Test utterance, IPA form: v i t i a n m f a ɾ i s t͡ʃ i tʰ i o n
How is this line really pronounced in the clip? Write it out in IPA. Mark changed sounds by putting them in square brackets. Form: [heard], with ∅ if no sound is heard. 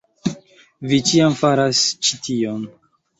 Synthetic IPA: v i [t͡ʃ] i a [∅] m f a ɾ [a] s t͡ʃ i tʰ i o n